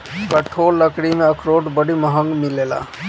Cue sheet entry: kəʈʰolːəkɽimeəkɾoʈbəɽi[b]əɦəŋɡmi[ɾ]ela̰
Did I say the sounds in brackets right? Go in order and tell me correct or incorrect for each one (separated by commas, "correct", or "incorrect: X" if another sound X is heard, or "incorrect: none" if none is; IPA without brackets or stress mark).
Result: incorrect: m, incorrect: l